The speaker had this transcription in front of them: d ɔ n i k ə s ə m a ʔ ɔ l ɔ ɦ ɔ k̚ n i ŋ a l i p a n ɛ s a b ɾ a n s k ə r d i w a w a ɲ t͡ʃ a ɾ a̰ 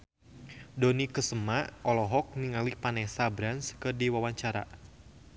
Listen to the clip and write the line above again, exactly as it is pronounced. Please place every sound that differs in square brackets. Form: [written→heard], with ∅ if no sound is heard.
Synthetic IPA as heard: d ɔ n i k ə s ə m a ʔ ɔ l ɔ ɦ ɔ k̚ n i ŋ a l i p a n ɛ s a b ɾ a n s k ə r d i w a w a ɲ t͡ʃ a ɾ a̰